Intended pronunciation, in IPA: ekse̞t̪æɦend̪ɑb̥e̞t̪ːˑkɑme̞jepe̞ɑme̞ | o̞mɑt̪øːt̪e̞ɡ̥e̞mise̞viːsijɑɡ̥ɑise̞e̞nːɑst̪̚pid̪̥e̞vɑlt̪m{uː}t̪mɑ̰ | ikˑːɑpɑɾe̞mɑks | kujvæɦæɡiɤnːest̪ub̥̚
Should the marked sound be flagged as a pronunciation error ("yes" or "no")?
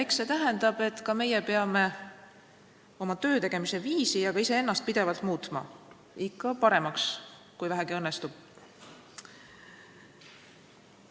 no